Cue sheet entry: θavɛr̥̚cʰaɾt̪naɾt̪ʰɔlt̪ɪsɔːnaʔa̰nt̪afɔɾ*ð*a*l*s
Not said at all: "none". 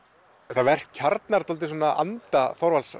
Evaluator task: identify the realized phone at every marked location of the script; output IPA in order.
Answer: v, l

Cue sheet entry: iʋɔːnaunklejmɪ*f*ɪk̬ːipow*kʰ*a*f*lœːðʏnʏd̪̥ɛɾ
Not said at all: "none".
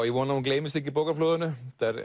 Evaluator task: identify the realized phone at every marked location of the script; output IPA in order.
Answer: s, k, f

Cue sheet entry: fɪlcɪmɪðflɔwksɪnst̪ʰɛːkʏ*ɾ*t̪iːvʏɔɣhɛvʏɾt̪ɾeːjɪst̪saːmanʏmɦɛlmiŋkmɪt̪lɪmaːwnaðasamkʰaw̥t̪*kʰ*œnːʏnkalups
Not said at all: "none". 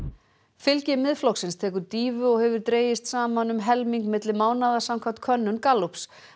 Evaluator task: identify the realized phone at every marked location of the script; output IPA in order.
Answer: ɾ, kʰ

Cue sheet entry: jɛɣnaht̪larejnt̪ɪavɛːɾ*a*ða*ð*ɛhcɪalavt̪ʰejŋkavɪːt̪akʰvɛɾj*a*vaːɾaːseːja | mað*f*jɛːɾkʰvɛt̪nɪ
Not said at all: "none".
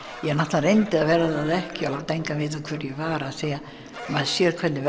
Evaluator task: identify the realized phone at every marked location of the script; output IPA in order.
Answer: a, ð, ɛ, s

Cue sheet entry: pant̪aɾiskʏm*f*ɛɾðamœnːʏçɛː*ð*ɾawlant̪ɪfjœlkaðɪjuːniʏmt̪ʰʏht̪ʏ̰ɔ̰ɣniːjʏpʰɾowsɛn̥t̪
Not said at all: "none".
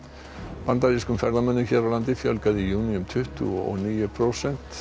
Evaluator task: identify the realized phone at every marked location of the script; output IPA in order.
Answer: f, none

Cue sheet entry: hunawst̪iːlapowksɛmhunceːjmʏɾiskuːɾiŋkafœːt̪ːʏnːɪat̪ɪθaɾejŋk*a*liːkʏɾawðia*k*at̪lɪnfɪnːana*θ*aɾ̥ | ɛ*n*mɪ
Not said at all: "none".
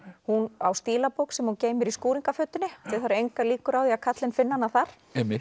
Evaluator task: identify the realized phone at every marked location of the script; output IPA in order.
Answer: a, kʰ, θ, none

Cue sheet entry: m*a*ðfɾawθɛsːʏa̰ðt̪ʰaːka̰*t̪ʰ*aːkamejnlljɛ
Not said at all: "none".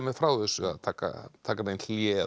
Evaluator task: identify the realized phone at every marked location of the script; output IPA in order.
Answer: ɛ, t̪ʰ

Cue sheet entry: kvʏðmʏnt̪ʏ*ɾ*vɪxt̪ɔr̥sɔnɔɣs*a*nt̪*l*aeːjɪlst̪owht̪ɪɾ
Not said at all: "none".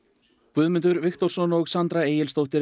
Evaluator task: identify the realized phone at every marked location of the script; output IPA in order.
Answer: ɾ, a, ɾ

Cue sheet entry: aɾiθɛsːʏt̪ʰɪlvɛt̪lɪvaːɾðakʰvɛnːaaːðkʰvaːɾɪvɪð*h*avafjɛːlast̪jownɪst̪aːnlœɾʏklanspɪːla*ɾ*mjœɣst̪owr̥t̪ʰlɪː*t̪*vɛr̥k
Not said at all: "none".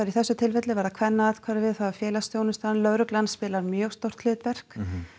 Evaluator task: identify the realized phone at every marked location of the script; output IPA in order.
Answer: θ, ɾ, t̪

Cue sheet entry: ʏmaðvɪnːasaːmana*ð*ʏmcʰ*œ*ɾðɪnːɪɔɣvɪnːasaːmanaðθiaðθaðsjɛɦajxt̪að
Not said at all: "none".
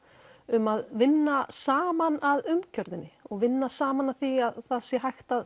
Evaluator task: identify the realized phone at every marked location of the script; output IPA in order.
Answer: ð, œ

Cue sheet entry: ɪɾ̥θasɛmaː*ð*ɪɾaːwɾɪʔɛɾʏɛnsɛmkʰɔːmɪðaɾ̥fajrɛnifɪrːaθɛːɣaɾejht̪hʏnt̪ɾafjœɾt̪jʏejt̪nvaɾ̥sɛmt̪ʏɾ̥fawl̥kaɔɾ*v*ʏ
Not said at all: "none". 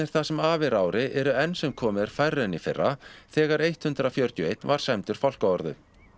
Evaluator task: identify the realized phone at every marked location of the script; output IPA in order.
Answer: v, ð

